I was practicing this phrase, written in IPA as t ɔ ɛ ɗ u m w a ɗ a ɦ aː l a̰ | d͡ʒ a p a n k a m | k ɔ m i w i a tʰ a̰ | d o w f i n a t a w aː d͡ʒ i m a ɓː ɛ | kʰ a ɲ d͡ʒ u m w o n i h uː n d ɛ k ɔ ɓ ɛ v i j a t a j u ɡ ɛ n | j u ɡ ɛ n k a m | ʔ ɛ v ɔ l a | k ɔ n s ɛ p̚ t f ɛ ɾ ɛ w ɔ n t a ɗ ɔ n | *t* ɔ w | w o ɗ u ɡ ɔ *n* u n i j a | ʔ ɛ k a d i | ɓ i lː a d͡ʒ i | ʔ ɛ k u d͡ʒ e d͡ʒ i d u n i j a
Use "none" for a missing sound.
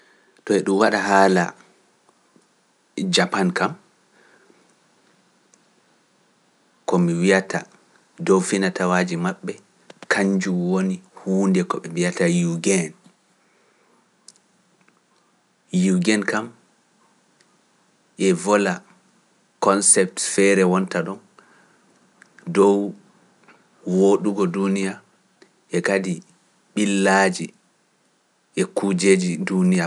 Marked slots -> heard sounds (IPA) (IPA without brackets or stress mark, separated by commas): d, d